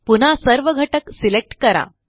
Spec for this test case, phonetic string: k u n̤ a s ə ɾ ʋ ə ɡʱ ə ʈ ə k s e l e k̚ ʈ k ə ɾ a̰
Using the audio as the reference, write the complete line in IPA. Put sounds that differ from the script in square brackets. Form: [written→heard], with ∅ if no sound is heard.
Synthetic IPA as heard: [k→p] u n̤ a s ə ɾ ʋ ə ɡʱ ə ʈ ə k s [e→i] l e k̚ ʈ k ə ɾ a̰